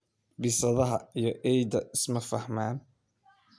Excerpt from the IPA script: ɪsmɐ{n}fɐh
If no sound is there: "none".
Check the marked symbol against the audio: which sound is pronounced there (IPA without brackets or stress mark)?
none